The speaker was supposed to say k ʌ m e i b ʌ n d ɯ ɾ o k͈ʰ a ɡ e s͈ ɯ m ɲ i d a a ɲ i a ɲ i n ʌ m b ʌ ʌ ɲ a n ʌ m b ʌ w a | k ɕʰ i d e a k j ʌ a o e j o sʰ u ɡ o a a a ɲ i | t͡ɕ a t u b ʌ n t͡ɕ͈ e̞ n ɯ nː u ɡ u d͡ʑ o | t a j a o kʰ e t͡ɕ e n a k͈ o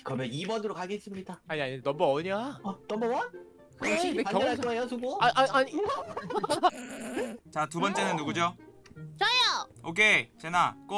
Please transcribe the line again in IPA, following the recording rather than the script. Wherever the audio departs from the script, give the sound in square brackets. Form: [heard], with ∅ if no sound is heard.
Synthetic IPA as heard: k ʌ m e i b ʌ n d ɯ ɾ o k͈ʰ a ɡ e s͈ ɯ m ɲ i d a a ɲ i a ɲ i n ʌ m b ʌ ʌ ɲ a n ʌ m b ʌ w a | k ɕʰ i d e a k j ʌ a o e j o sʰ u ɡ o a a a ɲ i | t͡ɕ a t u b ʌ n t͡ɕ͈ e̞ n ɯ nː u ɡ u d͡ʑ o | [t͡ɕ] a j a o kʰ e t͡ɕ e n a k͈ o